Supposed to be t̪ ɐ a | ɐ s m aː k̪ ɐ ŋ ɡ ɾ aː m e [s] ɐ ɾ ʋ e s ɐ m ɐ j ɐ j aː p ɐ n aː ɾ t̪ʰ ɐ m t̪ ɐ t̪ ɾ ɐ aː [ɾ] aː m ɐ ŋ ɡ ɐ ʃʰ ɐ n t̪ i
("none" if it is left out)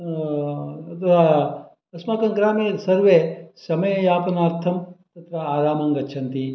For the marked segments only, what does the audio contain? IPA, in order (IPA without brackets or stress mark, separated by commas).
s, ɾ